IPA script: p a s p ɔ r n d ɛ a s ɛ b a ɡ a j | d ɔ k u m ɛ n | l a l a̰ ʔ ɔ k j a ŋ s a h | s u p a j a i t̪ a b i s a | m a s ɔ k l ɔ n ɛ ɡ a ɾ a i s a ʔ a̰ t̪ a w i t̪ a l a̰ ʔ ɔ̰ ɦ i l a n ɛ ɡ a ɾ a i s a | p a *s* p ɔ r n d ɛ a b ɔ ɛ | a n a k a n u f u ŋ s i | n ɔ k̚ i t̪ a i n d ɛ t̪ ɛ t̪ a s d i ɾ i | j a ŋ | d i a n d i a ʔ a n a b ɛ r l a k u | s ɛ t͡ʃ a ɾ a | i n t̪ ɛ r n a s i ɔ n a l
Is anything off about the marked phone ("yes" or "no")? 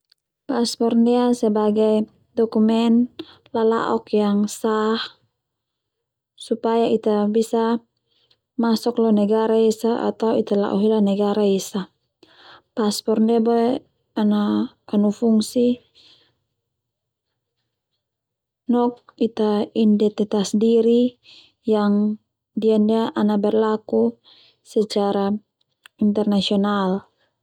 no